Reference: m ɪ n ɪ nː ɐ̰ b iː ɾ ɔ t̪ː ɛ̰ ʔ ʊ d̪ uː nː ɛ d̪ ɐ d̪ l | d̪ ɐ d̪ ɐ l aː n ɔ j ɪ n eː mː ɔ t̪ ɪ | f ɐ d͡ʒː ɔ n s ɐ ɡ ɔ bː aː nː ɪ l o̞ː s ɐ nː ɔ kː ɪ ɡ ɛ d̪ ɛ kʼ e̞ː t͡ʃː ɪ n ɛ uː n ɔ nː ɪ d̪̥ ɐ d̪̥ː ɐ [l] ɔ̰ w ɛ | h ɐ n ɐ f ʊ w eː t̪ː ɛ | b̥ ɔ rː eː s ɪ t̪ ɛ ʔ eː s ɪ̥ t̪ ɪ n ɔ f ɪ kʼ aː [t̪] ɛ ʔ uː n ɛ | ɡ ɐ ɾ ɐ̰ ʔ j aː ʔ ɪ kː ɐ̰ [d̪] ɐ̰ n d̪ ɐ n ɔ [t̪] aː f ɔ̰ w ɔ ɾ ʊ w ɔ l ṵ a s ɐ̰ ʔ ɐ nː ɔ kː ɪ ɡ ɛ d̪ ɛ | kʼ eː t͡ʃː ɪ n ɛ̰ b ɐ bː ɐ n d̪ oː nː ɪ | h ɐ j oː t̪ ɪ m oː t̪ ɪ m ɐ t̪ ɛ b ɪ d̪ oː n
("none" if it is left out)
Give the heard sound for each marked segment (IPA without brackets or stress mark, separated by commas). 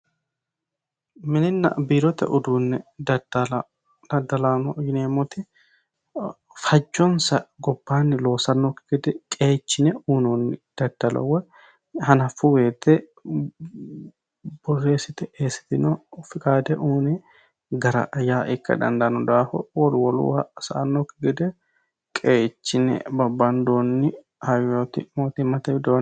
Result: l, d̪, d̪, d̪